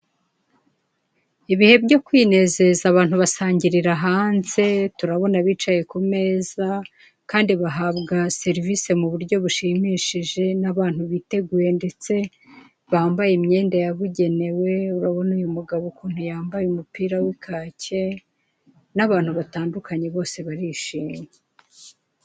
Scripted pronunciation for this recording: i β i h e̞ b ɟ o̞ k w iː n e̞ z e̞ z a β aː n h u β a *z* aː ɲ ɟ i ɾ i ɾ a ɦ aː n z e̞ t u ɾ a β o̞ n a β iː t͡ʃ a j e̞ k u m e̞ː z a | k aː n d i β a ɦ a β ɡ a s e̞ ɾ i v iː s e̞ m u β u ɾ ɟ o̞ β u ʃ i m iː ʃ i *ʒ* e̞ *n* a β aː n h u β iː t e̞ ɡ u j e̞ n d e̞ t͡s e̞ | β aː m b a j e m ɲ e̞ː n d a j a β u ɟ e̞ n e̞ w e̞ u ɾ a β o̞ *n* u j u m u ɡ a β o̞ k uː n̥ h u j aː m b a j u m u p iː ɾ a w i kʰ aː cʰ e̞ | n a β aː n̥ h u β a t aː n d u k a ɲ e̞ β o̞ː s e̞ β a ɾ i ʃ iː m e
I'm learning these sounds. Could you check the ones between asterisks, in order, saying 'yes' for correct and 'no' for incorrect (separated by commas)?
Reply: no, yes, yes, yes